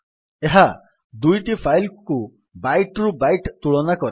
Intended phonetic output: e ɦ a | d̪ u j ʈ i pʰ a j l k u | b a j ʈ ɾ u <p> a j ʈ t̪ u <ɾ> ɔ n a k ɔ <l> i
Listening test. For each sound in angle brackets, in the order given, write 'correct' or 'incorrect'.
incorrect: b, incorrect: ɭ, incorrect: ɾ

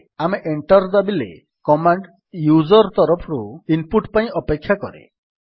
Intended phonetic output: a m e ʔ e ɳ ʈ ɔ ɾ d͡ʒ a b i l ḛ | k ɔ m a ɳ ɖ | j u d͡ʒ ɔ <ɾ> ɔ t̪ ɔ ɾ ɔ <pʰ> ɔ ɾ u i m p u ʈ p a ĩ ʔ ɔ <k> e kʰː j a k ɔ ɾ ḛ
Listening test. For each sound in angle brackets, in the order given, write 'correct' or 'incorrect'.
correct, correct, incorrect: p

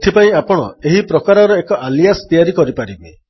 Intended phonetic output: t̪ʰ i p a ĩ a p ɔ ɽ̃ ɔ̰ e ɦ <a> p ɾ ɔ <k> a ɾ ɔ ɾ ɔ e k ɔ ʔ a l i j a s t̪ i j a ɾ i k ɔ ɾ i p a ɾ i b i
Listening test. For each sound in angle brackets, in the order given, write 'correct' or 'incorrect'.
incorrect: i, correct

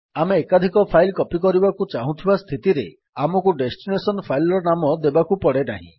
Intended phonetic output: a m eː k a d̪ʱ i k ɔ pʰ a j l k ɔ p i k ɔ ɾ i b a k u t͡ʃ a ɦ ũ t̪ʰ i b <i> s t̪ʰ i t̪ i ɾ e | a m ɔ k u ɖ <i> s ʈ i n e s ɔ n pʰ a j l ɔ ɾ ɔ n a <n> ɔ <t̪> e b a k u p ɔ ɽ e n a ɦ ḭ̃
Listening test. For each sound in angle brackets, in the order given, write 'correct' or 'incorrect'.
incorrect: a, incorrect: e, incorrect: m, incorrect: d̪

